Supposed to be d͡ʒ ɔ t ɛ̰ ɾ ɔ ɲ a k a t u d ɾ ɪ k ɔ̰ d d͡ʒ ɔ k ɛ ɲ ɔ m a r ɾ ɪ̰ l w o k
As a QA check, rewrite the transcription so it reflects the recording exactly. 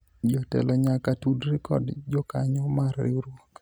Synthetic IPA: d͡ʒ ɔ t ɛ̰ l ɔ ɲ a k a t u d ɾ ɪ k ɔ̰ d d͡ʒ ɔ k a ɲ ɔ m a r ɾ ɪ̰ ɾ w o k